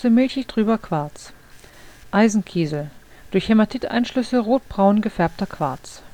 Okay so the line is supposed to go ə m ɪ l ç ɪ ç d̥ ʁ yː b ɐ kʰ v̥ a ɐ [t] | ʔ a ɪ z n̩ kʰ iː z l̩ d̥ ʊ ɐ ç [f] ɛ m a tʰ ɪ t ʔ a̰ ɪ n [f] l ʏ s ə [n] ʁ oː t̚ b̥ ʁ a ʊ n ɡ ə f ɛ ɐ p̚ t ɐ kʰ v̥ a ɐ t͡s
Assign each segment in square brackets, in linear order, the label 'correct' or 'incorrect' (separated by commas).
incorrect, incorrect, incorrect, incorrect